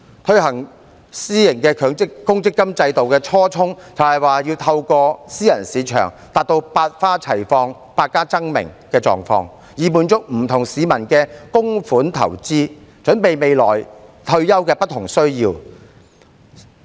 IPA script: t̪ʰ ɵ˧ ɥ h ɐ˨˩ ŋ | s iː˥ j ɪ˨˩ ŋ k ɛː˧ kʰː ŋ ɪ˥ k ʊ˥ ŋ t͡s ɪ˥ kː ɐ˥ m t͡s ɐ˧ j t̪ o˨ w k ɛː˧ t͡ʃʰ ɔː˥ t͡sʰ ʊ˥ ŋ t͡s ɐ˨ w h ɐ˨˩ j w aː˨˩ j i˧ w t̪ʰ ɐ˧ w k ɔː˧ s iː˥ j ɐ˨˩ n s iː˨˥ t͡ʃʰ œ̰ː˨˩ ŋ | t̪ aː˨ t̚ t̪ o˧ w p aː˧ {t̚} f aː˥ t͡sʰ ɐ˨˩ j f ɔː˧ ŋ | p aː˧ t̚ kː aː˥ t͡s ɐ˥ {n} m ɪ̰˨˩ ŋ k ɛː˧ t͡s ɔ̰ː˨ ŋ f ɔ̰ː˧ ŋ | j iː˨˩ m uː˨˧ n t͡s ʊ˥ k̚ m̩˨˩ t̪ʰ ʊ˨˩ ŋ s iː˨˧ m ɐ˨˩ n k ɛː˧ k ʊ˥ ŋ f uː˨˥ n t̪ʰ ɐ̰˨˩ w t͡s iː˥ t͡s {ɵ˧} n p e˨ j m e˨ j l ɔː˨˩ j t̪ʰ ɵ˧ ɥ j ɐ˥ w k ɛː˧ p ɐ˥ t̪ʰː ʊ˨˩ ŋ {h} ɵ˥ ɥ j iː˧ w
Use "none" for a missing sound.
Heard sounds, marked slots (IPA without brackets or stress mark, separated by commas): t̚, ŋ, ɵ˨˥, s